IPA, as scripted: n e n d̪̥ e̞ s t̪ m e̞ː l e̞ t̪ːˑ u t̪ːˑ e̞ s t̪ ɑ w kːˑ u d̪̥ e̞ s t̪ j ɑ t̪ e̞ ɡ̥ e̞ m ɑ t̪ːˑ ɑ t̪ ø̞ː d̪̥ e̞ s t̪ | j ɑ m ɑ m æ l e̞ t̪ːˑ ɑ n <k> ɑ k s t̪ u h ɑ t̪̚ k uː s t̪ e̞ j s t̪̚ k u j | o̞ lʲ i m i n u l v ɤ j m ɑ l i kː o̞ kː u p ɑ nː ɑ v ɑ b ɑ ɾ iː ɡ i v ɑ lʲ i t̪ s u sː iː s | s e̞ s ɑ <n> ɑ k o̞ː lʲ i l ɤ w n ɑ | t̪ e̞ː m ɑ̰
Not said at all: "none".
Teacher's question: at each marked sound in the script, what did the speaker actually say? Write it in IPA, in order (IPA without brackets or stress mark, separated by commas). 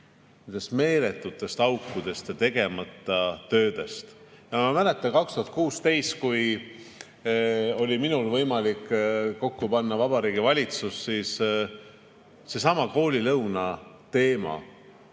k, m